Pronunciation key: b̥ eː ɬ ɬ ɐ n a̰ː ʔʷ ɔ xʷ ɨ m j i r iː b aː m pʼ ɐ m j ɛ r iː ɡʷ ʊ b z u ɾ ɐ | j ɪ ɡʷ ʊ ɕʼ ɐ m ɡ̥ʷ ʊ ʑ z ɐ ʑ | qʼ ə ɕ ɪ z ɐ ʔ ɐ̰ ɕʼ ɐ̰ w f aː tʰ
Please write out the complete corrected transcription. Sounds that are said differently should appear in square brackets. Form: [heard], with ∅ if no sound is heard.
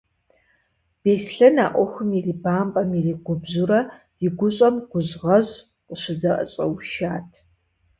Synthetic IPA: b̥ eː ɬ ɬ ɐ n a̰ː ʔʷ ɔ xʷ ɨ m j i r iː b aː m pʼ ɐ m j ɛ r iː ɡʷ ʊ b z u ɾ ɐ | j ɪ ɡʷ ʊ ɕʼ ɐ m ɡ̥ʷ ʊ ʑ [ʁ] ɐ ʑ | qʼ ə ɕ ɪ z ɐ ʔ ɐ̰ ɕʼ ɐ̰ w [ʃ] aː tʰ